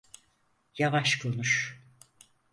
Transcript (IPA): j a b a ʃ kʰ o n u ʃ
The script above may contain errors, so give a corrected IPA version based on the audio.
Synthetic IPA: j a v a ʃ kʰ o n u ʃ